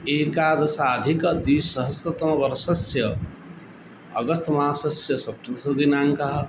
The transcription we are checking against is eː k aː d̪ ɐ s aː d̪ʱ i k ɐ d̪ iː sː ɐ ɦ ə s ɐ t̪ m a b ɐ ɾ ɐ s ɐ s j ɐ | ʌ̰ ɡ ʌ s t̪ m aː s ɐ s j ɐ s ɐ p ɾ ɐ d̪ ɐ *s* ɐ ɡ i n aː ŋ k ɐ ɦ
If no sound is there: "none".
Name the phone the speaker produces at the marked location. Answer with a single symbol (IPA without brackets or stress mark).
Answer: s